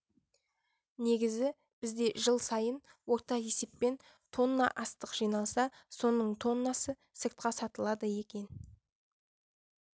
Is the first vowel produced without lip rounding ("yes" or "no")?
yes